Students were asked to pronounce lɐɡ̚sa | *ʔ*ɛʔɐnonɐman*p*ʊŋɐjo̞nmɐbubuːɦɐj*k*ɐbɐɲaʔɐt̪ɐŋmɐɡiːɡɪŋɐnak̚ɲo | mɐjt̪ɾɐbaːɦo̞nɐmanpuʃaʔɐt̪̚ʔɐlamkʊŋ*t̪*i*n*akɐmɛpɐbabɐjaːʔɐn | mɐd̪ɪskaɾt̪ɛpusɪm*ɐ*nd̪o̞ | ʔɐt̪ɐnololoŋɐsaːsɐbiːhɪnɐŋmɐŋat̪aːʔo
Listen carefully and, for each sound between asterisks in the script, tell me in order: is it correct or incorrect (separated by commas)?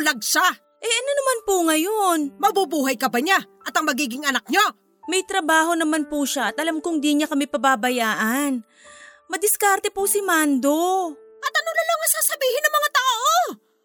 correct, correct, correct, incorrect, incorrect, incorrect